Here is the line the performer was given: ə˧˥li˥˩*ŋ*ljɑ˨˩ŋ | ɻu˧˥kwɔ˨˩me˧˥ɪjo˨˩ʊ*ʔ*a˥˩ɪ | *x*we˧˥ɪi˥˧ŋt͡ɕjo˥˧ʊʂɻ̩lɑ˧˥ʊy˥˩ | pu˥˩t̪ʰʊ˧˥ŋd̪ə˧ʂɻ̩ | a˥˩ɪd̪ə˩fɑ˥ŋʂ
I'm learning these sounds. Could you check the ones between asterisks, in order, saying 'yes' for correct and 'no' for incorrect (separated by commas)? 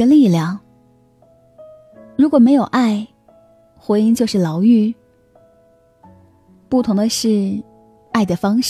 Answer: no, yes, yes